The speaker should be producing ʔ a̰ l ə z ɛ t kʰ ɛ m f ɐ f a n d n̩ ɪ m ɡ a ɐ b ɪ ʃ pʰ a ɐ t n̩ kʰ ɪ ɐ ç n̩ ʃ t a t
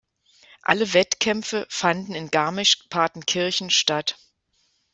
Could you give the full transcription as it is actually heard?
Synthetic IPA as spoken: ʔ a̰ l ə v ɛ t kʰ ɛ m f ə f a n d n̩ ɪ n ɡ a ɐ m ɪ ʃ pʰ a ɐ t n̩ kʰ ɪ ɐ ç n̩ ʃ t a t